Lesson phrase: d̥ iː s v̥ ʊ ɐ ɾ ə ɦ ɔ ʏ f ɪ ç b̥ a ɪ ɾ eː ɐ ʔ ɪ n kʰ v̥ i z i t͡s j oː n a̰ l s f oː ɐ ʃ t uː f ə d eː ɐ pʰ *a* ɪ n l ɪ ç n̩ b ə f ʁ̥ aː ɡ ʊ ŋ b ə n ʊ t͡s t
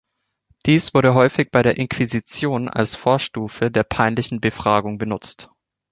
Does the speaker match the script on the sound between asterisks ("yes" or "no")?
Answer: yes